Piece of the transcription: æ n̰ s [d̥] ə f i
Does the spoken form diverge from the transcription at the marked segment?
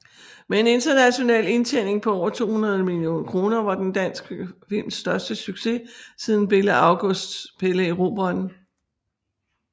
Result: yes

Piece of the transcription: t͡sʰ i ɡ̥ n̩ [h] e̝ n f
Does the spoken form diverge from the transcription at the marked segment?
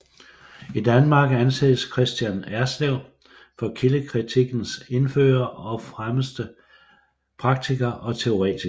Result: yes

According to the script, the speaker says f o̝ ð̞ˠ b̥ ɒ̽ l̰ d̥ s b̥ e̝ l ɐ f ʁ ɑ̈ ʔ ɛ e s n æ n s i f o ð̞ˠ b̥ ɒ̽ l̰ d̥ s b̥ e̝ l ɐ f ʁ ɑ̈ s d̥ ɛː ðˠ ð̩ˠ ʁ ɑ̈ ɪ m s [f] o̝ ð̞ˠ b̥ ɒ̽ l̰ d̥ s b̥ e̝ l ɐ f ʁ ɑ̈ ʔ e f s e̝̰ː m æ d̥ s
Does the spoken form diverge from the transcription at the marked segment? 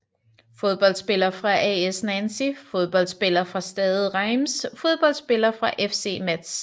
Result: no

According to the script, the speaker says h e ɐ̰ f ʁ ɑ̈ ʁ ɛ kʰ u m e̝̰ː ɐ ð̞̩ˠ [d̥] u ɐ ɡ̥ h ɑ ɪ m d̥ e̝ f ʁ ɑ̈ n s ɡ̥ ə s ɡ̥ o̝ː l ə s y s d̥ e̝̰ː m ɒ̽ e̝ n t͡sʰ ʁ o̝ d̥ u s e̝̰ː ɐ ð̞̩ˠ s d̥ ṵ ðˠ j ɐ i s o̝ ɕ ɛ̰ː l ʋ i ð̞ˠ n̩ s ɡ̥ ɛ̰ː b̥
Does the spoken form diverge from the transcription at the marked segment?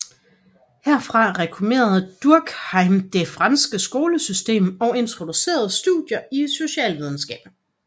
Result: no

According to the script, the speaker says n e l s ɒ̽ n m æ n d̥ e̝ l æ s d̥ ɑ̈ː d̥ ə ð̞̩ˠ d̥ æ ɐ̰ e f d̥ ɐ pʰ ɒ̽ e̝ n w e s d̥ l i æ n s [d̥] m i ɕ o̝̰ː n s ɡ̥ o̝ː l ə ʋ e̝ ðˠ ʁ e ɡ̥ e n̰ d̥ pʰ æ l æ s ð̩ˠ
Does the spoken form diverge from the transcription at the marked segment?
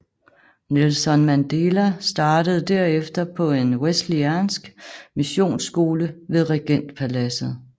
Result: yes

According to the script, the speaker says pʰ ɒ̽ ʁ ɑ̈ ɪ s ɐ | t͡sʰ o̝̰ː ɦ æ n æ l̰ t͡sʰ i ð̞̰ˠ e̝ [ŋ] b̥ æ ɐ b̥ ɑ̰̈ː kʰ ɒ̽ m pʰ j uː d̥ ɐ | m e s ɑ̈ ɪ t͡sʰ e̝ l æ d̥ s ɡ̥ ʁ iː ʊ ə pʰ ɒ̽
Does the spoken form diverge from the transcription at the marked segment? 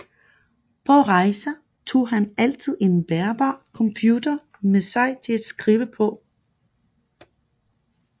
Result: yes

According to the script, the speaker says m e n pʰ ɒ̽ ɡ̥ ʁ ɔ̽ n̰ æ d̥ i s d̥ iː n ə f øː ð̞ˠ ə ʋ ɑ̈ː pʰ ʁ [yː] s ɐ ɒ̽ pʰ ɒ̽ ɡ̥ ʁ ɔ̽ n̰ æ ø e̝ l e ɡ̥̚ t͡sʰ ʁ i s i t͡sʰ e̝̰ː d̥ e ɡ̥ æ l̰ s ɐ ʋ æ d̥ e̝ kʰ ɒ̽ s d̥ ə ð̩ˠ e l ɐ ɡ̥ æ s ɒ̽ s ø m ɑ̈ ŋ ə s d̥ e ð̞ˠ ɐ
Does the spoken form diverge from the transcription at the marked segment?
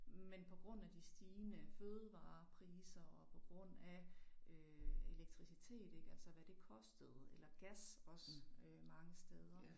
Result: yes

